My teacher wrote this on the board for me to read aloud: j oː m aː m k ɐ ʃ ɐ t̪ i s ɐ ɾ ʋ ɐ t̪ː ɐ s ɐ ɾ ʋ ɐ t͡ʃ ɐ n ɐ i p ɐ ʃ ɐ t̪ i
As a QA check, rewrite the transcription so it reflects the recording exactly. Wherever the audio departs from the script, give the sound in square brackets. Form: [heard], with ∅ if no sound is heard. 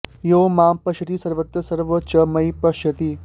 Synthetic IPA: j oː m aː m [p] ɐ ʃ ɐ t̪ i s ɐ ɾ ʋ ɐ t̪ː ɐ s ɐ ɾ ʋ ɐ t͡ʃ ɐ [m] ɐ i p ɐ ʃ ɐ t̪ i